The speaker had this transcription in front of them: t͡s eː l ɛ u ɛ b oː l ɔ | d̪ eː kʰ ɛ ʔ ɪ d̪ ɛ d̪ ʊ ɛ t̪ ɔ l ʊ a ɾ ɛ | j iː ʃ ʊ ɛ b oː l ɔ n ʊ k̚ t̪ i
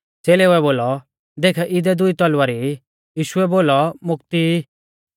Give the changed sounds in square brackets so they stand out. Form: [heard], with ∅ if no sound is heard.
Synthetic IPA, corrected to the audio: t͡s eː l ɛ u ɛ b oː l ɔ | d̪ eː kʰ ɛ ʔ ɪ d̪ ɛ d̪ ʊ [i] t̪ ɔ l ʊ a ɾ [i] | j iː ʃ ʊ ɛ b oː l ɔ [m] ʊ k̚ t̪ i

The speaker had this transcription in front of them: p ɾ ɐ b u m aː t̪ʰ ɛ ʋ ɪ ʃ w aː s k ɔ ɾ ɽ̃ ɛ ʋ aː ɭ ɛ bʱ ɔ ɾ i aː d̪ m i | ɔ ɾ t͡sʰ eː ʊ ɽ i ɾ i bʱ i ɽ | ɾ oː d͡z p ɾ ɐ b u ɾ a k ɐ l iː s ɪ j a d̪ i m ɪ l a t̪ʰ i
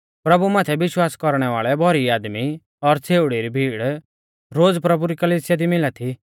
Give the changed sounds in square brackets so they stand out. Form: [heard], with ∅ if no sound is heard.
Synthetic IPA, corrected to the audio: p ɾ ɐ b u m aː t̪ʰ ɛ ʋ ɪ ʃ w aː s k ɔ ɾ ɽ̃ ɛ ʋ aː ɭ ɛ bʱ ɔ ɾ i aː d̪ m i | ɔ ɾ t͡sʰ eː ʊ ɽ i ɾ i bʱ [iː] ɽ | ɾ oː d͡z p ɾ ɐ b u ɾ [i] k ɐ l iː s ɪ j a d̪ i m ɪ l a t̪ʰ i

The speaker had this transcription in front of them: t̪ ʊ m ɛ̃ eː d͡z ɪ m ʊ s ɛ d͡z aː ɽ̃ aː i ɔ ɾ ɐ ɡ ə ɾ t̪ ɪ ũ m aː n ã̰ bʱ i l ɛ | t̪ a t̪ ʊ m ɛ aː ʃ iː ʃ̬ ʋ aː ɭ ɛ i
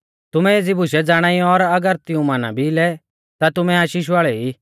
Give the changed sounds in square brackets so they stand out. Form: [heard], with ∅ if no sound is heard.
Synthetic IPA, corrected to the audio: t̪ ʊ m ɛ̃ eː d͡z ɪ [b] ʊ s ɛ d͡z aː ɽ̃ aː i ɔ ɾ ɐ ɡ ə ɾ t̪ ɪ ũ m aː n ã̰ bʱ i l ɛ | t̪ a t̪ ʊ m ɛ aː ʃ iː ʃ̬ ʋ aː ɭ ɛ i

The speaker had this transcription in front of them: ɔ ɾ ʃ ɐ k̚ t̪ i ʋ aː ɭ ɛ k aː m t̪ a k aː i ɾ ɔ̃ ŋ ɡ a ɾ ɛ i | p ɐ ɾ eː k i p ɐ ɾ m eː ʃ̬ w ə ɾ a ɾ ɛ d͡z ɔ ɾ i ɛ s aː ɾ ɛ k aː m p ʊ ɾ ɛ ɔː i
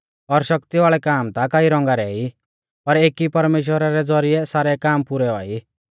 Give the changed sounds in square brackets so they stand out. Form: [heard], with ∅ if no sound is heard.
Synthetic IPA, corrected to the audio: ɔ ɾ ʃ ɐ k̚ t̪ i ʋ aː ɭ ɛ k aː m t̪ a k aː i ɾ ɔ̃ ŋ ɡ a ɾ ɛ i | p ɐ ɾ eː k i p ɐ ɾ m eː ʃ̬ w ə ɾ a ɾ ɛ d͡z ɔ ɾ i ɛ s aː ɾ ɛ k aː m p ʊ ɾ ɛ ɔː i

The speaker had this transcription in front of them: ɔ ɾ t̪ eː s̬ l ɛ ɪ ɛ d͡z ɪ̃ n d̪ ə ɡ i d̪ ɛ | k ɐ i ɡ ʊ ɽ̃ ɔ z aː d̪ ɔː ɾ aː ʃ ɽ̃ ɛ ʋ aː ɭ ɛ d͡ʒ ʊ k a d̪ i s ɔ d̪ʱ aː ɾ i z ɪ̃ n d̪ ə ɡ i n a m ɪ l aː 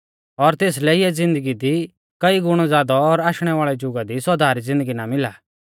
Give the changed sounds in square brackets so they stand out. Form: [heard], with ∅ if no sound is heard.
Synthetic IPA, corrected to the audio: ɔ ɾ t̪ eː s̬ l ɛ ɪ ɛ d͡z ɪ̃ n d̪ ə ɡ i d̪ [i] | k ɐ i ɡ ʊ ɽ̃ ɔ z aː d̪ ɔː ɾ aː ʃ ɽ̃ ɛ ʋ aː ɭ ɛ d͡ʒ ʊ [ɡ] a d̪ i s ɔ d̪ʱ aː ɾ i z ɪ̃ n d̪ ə ɡ i n a m ɪ l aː

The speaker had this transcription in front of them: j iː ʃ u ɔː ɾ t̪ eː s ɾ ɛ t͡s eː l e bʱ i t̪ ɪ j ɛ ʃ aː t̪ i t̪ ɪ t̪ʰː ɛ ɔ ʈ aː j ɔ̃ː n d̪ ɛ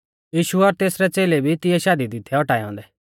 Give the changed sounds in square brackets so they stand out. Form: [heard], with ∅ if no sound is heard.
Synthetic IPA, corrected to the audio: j iː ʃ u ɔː ɾ t̪ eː s ɾ ɛ t͡s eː l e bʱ i t̪ ɪ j ɛ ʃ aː [d̪] i [d̪] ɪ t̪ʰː ɛ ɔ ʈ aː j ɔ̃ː n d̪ ɛ

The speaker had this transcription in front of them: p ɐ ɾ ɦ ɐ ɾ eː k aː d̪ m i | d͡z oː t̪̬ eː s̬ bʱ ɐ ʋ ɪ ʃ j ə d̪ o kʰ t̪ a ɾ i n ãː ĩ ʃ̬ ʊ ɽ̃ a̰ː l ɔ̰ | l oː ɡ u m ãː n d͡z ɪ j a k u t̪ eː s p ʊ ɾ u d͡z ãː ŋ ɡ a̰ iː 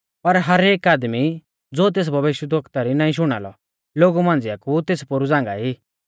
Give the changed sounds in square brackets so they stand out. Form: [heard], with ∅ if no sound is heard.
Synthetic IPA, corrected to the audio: p ɐ ɾ ɦ ɐ ɾ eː k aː d̪ m i | d͡z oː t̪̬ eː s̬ bʱ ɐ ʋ ɪ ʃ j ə d̪ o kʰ t̪ a ɾ i n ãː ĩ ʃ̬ ʊ ɽ̃ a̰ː l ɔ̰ | l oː ɡ u m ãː n d͡z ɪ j a k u t̪ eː s p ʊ ɾ u d͡z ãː ŋ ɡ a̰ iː

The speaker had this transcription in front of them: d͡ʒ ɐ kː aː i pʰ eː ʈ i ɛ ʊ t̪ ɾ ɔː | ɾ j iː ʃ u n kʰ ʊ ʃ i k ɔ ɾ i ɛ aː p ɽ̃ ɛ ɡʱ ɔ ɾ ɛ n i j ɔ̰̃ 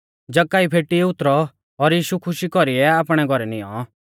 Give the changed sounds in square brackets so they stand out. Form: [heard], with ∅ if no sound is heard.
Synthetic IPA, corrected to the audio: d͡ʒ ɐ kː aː i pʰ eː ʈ i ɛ ʊ t̪ ɾ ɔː | ɾ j iː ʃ u [∅] kʰ ʊ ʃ i k ɔ ɾ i ɛ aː p ɽ̃ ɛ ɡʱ ɔ ɾ ɛ n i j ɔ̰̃

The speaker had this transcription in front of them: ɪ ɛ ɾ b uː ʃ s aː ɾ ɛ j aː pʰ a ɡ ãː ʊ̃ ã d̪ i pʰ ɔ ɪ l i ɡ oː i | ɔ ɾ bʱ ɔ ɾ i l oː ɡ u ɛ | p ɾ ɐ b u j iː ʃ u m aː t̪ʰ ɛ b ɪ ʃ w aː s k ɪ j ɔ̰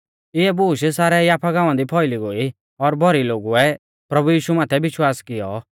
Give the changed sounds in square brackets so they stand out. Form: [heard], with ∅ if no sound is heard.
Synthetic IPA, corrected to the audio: ɪ ɛ [∅] b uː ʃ s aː ɾ ɛ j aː pʰ a ɡ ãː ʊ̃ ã d̪ i pʰ ɔ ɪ l i ɡ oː i | ɔ ɾ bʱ ɔ ɾ i l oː ɡ u ɛ | p ɾ ɐ b u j iː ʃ u m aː t̪ʰ ɛ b ɪ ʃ w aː s k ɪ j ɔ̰

